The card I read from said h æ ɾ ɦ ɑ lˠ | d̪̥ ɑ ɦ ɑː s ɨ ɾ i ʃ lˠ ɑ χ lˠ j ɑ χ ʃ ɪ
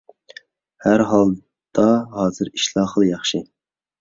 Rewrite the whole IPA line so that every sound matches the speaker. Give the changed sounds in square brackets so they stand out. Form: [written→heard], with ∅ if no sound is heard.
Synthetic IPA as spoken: h æ ɾ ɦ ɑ lˠ | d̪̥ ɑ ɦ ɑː [s→z] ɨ ɾ i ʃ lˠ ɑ χ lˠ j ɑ χ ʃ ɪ